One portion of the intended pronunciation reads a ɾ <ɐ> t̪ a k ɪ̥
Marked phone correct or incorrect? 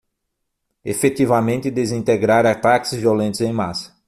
incorrect: a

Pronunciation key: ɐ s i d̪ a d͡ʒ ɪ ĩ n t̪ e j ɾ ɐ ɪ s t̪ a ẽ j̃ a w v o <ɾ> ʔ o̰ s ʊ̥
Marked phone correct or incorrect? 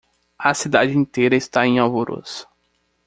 correct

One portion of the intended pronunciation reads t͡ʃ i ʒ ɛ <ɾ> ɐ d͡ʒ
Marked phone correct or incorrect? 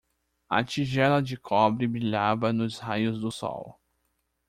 incorrect: l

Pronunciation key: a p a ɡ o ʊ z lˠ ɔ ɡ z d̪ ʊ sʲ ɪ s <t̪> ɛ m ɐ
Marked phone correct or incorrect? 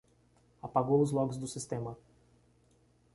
correct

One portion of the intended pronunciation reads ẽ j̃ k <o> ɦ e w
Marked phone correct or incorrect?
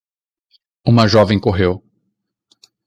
correct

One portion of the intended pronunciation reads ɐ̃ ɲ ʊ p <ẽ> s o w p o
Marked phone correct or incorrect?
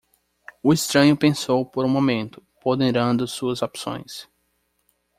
correct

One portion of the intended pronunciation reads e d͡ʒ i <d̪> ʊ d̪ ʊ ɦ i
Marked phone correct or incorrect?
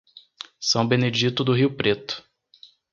incorrect: t̪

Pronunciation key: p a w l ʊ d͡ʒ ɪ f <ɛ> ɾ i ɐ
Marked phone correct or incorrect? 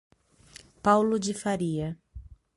incorrect: a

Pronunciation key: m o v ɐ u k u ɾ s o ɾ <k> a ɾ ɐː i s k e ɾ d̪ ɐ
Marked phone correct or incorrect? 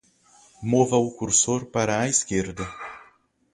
incorrect: p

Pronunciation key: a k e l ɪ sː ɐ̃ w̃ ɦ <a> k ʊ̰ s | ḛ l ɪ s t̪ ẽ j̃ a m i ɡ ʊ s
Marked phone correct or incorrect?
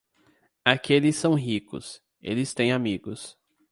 incorrect: i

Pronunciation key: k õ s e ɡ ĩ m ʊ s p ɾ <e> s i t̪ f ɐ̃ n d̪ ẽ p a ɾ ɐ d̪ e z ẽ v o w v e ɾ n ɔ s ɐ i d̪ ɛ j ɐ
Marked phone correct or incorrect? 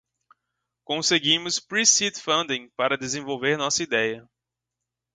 incorrect: i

